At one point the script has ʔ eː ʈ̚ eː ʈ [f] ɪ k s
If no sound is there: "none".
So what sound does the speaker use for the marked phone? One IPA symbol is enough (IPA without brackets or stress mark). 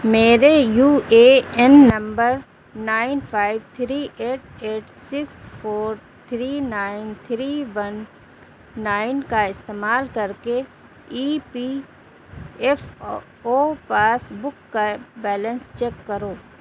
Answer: s